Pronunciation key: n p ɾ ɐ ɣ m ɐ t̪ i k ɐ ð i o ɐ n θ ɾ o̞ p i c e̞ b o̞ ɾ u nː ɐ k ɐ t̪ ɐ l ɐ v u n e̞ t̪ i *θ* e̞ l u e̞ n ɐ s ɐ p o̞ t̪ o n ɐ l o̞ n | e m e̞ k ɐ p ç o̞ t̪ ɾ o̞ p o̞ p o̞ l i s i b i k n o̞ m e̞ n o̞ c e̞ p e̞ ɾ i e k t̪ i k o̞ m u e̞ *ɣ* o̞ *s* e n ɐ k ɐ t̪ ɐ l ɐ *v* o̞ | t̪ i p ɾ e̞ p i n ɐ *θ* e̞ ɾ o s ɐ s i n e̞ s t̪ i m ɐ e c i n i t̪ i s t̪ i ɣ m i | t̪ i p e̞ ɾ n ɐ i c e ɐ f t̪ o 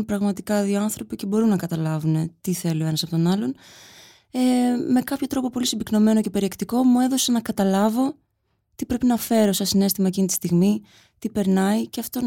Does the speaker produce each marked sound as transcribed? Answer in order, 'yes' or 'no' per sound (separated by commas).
yes, no, yes, yes, no